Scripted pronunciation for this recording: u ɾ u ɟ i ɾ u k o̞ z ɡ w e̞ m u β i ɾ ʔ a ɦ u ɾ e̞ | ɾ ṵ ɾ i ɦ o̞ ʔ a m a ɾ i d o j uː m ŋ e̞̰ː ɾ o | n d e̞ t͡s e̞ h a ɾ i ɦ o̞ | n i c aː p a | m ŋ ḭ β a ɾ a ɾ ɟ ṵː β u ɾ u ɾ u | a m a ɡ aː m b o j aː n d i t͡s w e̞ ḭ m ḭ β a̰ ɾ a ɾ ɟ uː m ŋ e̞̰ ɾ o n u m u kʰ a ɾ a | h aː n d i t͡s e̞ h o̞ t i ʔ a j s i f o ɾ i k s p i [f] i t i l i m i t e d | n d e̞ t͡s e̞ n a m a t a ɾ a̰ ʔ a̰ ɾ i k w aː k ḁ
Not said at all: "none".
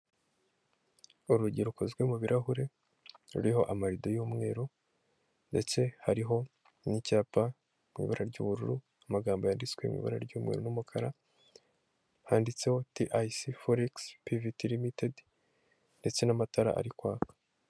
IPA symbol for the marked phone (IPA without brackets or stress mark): v